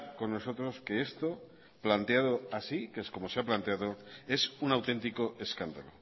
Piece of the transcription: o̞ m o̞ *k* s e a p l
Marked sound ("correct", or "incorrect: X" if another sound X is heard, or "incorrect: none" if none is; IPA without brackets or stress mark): incorrect: none